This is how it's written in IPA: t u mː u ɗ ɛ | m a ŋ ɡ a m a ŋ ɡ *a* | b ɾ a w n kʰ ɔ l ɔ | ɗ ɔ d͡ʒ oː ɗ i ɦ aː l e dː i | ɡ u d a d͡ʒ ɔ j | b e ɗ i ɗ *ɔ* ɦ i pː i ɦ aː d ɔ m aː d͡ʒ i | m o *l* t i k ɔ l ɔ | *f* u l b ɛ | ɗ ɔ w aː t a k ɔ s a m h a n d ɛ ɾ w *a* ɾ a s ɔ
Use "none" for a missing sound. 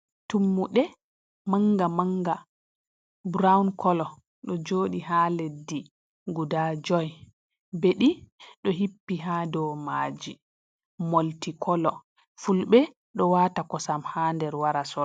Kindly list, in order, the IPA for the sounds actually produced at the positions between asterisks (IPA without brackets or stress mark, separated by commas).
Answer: a, ɔ, l, f, a